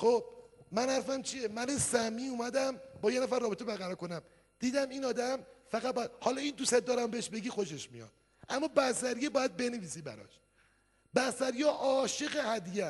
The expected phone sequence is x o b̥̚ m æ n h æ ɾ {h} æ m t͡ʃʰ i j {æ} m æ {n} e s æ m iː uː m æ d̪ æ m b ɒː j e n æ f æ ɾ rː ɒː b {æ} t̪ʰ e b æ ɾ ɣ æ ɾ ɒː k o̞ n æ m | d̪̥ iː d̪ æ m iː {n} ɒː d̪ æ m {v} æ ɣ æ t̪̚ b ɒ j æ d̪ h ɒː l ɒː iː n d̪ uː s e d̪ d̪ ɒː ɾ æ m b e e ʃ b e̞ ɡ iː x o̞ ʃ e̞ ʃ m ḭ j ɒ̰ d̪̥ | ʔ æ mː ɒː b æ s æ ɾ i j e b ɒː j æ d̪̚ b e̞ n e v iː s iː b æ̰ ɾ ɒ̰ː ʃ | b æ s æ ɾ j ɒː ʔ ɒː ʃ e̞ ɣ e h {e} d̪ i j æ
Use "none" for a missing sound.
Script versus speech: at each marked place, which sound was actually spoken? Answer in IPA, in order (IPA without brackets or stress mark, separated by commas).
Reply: f, e, n, e, n, f, æ